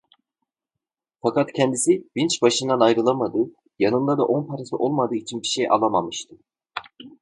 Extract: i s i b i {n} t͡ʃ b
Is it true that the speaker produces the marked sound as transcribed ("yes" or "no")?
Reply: yes